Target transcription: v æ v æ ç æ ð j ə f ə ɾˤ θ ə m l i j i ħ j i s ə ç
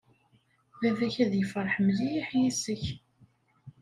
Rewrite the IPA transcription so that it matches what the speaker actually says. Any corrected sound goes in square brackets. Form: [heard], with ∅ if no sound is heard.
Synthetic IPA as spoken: v æ v æ ç æ ð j ə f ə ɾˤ [ħ] ə m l i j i ħ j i s ə ç